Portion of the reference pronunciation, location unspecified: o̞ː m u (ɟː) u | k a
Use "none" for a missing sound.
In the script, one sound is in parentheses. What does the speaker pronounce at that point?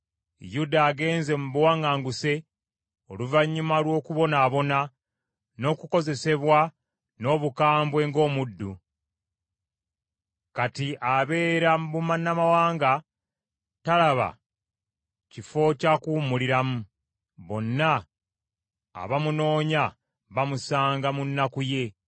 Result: dː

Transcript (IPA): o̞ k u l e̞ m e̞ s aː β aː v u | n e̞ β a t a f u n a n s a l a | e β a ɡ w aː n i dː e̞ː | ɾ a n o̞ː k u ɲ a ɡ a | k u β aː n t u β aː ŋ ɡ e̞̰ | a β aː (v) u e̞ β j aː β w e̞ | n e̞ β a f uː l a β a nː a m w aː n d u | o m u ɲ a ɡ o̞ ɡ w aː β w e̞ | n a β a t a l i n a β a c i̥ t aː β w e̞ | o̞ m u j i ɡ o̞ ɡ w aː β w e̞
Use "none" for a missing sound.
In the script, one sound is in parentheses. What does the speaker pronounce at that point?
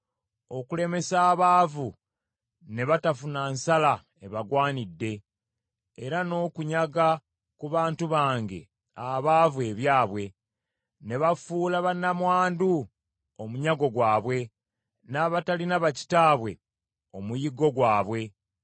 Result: v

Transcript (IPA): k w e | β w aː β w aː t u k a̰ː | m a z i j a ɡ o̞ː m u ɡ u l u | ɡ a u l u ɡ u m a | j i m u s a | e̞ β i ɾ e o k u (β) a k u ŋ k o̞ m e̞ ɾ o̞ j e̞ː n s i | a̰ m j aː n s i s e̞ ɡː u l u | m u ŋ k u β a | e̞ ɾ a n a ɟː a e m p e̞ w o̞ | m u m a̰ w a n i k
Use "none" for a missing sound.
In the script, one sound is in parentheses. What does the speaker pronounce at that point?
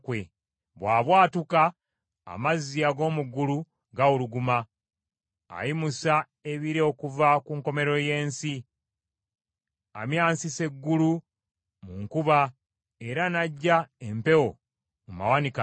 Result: v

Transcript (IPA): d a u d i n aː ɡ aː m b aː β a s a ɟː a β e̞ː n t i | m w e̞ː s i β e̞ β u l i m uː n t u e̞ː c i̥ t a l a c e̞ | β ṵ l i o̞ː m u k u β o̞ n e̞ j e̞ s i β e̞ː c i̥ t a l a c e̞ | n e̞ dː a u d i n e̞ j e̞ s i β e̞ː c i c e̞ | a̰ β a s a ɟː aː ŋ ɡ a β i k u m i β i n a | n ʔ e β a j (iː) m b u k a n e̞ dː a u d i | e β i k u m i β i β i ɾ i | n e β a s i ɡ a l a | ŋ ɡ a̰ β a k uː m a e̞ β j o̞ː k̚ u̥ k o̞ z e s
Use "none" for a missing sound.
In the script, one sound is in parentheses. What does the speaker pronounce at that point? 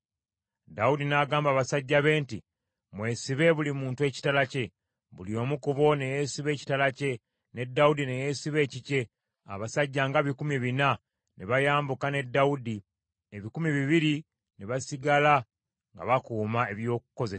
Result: aː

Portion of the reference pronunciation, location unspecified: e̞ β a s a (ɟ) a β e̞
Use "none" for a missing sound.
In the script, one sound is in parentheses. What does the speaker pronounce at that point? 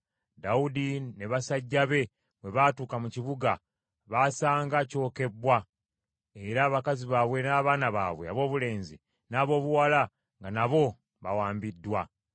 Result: ɟː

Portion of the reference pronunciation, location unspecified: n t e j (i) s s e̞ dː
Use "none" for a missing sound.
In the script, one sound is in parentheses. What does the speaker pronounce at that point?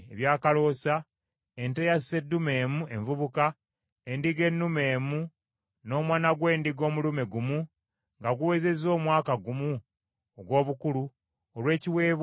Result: a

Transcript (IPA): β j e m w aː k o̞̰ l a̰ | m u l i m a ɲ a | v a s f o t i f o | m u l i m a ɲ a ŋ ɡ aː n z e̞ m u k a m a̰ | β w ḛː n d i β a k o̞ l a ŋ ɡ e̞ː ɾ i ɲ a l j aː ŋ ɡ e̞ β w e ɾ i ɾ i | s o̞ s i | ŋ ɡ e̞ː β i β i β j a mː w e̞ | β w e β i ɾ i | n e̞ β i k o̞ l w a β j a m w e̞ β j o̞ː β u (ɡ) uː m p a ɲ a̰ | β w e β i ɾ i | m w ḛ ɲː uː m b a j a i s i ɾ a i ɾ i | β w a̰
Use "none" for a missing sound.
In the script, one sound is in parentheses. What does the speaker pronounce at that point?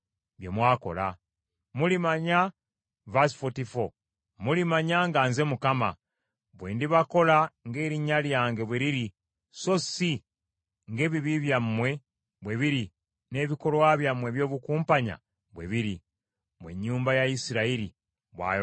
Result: k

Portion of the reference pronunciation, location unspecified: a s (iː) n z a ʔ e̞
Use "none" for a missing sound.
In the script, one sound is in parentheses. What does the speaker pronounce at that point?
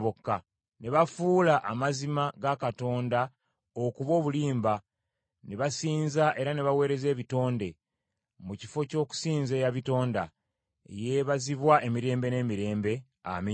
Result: iː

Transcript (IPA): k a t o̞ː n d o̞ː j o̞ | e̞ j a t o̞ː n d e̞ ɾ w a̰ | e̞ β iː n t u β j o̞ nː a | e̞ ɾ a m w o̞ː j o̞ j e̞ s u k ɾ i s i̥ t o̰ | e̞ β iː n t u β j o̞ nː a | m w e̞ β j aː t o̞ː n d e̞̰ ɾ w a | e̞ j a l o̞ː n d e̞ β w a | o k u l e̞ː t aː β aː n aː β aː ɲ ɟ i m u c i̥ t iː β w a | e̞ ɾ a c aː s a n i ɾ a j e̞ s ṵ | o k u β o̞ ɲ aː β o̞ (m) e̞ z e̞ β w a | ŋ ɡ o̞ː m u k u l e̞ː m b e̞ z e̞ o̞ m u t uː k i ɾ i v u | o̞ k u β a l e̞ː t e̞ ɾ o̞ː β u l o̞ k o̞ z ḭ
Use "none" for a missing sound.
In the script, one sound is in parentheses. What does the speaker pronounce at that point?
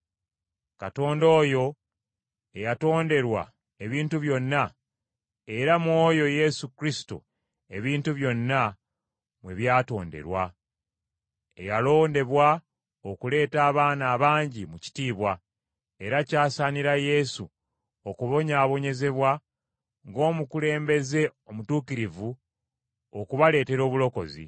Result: ɲ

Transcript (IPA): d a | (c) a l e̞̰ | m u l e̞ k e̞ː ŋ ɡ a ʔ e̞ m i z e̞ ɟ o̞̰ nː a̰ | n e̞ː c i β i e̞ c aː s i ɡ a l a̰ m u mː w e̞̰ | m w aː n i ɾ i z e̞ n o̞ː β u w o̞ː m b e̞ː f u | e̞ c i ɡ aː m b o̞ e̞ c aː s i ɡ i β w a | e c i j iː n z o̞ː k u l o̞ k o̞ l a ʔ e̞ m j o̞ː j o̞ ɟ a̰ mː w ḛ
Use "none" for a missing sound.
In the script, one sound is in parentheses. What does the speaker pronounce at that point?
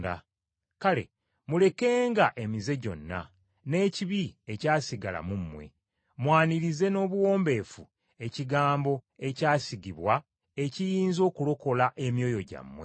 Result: k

